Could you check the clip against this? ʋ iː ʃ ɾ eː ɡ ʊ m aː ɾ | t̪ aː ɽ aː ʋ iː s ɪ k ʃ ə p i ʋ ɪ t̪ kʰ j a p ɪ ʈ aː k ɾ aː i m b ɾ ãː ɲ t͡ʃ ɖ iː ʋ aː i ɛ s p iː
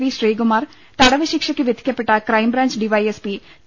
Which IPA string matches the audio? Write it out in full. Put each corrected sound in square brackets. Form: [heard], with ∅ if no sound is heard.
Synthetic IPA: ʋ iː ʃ ɾ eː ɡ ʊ m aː ɾ | t̪ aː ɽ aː ʋ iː [ʃ] ɪ k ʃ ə [k] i ʋ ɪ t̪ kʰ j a p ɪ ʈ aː k ɾ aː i m b ɾ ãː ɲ t͡ʃ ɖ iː ʋ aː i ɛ s p iː